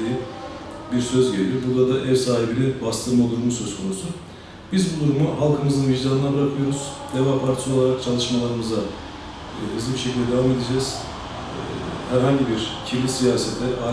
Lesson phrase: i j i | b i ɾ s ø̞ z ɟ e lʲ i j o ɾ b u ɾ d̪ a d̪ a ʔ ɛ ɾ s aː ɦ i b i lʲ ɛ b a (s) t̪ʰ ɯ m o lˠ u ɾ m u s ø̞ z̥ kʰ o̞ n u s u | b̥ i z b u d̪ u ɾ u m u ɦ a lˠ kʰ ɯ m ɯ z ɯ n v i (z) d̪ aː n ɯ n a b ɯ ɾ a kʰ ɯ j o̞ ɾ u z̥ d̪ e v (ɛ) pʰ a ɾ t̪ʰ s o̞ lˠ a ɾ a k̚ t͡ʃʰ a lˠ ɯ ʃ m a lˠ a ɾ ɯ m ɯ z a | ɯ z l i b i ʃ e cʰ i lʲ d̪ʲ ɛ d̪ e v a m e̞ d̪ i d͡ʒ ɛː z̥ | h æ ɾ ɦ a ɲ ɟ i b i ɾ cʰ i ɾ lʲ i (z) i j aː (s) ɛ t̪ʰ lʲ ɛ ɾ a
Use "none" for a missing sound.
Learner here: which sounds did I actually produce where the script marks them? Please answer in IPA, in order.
s, ʒ, a, s, s

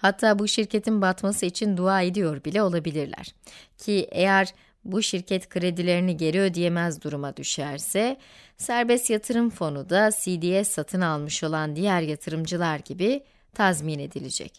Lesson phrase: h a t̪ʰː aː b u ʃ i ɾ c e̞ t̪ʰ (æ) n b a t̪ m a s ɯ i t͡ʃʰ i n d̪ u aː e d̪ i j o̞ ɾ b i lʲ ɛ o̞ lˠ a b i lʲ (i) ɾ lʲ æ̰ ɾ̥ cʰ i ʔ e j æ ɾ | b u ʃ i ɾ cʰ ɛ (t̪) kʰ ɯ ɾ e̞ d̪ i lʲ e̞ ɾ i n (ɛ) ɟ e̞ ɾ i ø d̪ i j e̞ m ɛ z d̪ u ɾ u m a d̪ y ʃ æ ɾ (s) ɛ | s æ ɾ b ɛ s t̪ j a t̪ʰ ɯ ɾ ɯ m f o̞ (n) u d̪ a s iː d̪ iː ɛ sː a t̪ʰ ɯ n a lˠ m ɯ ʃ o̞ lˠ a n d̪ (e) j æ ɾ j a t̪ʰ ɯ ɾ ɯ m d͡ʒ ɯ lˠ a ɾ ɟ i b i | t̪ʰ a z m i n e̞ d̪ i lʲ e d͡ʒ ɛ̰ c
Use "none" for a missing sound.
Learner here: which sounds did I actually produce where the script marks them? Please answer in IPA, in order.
i, i, t̪, i, s, n, i

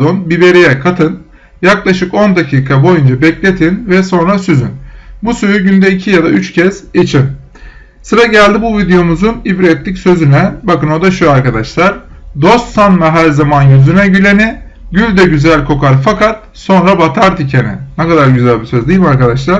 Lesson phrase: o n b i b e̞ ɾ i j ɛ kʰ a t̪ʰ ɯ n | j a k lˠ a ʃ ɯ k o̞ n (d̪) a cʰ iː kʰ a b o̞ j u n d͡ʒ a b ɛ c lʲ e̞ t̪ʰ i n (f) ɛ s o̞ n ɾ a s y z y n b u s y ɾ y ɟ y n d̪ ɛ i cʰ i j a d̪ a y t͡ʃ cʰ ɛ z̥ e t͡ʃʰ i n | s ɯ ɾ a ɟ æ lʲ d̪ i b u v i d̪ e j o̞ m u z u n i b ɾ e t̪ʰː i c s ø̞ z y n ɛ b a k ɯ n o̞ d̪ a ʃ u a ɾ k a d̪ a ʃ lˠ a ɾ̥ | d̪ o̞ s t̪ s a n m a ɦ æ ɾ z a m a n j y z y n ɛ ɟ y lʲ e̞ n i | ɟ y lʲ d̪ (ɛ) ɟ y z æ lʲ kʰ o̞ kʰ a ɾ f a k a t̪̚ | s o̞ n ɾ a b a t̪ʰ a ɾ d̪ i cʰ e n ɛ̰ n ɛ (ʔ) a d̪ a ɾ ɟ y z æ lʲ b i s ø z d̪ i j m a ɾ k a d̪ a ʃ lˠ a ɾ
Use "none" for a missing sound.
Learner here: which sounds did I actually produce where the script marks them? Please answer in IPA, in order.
d̪, v, ɛ, k

